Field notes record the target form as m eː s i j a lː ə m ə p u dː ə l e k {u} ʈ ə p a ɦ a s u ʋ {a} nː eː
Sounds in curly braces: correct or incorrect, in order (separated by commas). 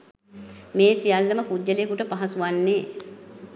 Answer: correct, correct